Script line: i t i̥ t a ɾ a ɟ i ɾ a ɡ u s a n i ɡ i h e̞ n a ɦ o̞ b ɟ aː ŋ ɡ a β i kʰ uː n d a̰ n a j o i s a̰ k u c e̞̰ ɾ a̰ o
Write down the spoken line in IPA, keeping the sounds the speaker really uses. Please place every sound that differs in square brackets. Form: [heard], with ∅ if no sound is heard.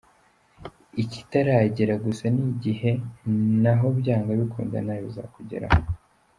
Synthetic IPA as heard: i [c] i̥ t a ɾ a ɟ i ɾ a ɡ u s a n i [ɟ] i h e̞ n a ɦ o̞ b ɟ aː ŋ ɡ a β i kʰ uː n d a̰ n a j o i [z] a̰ k u [ɟ] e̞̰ ɾ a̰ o

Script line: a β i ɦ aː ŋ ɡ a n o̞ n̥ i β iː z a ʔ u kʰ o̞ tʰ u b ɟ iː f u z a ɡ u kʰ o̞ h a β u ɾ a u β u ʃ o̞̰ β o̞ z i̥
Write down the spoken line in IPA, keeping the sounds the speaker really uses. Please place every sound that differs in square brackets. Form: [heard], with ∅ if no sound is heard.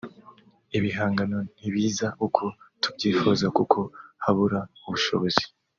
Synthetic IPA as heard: [i] β i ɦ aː ŋ ɡ a n o̞ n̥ i β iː z a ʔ u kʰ o̞ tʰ u b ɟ iː f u z a [k] u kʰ o̞ h a β u ɾ a u β u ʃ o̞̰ β o̞ z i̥

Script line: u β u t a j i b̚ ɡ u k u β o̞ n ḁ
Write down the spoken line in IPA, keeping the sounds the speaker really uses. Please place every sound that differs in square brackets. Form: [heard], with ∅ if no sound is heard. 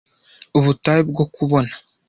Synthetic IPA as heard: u β u t a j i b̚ ɡ [o] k u β o̞ n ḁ

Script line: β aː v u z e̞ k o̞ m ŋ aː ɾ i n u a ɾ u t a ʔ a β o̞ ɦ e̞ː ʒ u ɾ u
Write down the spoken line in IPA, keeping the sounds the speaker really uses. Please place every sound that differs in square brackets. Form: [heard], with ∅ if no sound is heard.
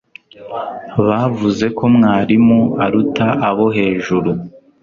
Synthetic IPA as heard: β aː v u z e̞ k o̞ m ŋ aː ɾ i [m] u a ɾ u t a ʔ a β o̞ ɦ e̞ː ʒ u ɾ u

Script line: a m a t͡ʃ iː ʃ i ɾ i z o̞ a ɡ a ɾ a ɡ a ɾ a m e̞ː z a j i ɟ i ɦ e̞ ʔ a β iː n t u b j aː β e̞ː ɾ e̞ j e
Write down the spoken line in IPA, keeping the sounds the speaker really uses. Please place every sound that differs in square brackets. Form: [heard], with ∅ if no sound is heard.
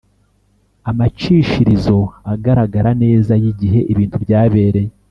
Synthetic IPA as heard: a m a t͡ʃ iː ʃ i ɾ i z o̞ a ɡ a ɾ a ɡ a ɾ a [n] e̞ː z a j i ɟ i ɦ e̞ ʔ [i] β iː n t u b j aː β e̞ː ɾ e̞ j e

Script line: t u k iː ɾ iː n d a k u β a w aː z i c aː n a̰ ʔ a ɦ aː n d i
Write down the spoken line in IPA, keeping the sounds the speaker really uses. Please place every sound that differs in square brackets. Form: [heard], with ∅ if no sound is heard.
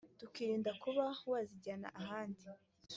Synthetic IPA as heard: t u k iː ɾ iː n d a k u β a w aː z i [ɟ] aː n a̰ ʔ a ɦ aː n d i

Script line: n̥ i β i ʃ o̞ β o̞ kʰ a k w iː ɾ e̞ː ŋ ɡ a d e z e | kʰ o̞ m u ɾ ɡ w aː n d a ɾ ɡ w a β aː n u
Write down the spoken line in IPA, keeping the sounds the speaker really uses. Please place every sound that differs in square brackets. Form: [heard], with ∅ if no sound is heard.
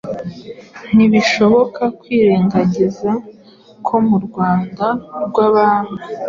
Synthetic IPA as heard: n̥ i β i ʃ o̞ β o̞ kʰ a k w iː ɾ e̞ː ŋ ɡ a [ɟ] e z [a] | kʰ o̞ m u ɾ ɡ w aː n d a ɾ ɡ w a β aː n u

